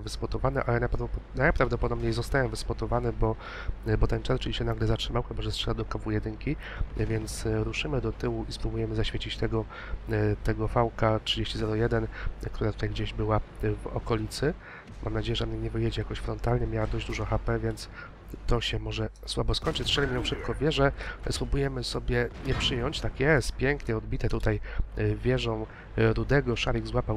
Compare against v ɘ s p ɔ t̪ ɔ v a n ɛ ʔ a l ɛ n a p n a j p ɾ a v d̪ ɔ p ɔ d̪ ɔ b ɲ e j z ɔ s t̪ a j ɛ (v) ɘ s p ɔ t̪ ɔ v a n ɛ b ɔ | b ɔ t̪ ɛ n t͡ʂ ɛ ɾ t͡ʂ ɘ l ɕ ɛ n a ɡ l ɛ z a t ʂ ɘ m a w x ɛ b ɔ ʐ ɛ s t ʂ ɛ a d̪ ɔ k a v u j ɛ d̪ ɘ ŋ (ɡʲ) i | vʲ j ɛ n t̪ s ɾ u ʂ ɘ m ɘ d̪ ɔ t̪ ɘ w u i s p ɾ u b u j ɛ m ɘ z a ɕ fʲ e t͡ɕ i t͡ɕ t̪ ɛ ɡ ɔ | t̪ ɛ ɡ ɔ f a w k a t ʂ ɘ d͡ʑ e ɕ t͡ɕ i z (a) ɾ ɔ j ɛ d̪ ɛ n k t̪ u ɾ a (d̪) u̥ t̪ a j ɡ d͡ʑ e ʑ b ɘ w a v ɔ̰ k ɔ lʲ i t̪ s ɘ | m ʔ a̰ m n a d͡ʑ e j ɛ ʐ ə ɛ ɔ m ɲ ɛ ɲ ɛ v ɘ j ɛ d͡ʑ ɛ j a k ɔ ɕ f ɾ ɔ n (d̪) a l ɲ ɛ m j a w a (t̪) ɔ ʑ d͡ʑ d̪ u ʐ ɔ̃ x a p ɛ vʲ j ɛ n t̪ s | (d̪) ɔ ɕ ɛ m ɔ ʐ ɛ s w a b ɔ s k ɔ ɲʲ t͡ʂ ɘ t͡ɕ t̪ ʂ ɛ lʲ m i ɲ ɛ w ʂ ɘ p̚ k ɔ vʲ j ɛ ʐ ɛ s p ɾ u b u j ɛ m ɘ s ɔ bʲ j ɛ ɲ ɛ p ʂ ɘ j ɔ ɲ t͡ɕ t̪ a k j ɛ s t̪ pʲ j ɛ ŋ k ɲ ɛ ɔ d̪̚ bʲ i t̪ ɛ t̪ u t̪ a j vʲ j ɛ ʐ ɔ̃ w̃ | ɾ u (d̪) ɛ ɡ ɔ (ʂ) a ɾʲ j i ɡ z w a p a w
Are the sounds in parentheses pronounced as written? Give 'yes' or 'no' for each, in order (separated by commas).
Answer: yes, no, no, no, no, no, no, yes, yes